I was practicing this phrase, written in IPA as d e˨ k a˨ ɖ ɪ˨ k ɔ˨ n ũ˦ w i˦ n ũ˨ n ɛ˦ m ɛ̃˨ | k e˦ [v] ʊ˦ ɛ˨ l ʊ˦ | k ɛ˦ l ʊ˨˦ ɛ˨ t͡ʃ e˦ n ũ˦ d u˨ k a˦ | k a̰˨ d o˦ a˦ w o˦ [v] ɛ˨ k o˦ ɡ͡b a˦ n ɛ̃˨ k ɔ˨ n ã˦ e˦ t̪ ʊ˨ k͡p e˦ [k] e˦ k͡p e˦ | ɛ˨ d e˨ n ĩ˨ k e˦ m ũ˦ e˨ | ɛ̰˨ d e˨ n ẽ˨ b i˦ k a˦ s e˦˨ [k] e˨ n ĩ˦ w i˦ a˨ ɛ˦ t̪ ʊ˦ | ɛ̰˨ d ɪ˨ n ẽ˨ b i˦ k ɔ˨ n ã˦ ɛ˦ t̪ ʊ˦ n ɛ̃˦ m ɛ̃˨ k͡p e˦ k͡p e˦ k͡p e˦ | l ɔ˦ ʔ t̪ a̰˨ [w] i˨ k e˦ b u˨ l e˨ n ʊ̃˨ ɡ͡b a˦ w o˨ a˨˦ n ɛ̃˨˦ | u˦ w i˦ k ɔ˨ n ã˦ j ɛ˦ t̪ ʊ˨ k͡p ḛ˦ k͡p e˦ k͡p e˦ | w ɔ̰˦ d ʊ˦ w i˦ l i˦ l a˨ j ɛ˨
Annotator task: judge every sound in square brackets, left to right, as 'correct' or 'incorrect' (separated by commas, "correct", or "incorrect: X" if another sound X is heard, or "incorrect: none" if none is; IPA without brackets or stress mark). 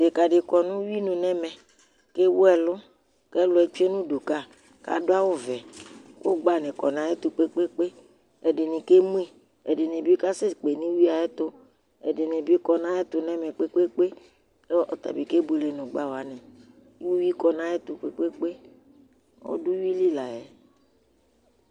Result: incorrect: w, correct, incorrect: k͡p, incorrect: k͡p, incorrect: b